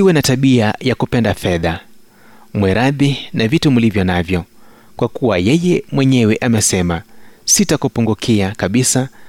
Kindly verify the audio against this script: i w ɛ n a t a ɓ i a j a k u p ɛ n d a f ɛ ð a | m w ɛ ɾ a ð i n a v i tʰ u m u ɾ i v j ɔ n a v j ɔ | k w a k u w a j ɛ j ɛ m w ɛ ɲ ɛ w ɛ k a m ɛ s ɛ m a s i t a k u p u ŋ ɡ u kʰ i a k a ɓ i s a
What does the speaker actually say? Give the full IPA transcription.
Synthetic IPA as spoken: i w ɛ n a t a ɓ i a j a k u p ɛ n d a f ɛ ð a | m w ɛ ɾ a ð i n a v i t u m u l i v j ɔ n a v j ɔ | k w a k u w a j ɛ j ɛ m w ɛ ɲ ɛ w ɛ ʔ a m ɛ s ɛ m a s i t a k u p u ŋ ɡ u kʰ i a k a ɓ i s a